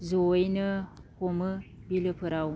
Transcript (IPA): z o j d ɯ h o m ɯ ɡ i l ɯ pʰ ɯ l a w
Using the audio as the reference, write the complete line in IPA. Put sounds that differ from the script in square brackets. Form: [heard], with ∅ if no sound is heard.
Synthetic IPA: z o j [n] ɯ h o m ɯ [b] i l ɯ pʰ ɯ [ɾ] a w